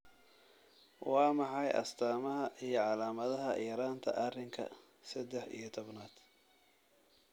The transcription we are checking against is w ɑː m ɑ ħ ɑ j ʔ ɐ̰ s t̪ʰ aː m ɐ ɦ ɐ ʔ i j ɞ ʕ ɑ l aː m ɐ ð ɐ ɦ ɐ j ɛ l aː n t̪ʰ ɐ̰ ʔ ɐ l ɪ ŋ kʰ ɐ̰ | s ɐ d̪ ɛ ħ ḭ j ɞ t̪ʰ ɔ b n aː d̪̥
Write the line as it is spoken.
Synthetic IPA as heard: w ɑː m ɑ ħ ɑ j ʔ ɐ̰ s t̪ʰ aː m ɐ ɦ ɐ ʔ i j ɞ ʕ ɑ l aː m ɐ ð ɐ ɦ ɐ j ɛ ɾ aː n t̪ʰ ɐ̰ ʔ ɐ r ɪ ŋ kʰ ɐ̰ | s ɐ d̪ ɛ ħ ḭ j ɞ t̪ʰ ɔ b n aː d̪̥